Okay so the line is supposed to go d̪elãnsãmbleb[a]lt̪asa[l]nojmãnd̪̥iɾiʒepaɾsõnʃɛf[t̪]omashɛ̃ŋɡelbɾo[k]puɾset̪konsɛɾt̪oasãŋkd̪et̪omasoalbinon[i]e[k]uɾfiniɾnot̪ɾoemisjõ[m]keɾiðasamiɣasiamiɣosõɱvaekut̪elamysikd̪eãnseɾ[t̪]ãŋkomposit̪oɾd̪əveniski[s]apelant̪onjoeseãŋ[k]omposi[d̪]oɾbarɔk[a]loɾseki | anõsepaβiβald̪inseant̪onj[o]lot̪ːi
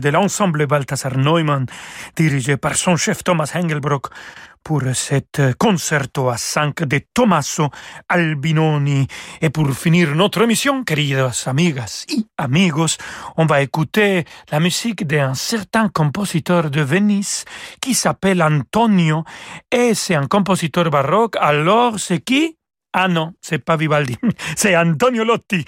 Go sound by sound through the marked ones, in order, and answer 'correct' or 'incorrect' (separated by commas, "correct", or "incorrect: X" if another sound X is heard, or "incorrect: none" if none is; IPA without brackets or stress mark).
correct, incorrect: ɾ, correct, correct, correct, incorrect: p, incorrect: ŋ, correct, correct, correct, incorrect: t̪, correct, correct